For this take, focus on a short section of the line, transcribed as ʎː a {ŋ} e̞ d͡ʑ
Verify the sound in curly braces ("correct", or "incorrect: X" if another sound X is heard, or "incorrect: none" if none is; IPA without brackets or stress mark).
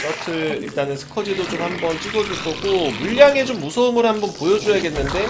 correct